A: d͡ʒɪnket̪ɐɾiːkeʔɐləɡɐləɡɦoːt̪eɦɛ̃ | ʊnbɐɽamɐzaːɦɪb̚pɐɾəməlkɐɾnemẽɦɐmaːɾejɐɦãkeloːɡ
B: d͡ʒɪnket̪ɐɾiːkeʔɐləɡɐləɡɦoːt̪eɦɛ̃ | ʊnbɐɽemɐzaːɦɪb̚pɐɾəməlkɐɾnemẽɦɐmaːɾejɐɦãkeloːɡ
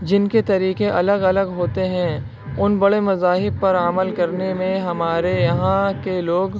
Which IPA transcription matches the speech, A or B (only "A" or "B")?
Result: B